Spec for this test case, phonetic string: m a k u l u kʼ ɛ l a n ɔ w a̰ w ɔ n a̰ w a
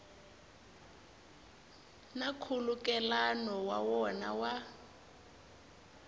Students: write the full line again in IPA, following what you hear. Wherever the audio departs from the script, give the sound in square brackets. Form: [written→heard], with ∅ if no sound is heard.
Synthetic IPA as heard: [m→n] a [k→kʰ] u l u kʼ ɛ l a n ɔ w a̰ w ɔ n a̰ w a